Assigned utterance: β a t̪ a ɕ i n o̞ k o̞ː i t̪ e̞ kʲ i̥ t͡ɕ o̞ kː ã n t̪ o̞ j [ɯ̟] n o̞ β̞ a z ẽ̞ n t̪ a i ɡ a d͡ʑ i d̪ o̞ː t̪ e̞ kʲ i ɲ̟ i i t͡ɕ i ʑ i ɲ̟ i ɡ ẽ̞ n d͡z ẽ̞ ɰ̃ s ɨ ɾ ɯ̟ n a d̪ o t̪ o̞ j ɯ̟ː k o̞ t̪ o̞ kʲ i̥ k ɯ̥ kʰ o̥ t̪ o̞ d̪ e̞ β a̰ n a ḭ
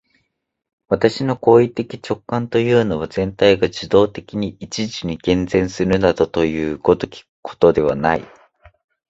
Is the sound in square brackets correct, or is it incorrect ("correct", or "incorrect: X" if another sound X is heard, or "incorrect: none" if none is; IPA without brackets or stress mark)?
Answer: incorrect: ɯ̟ː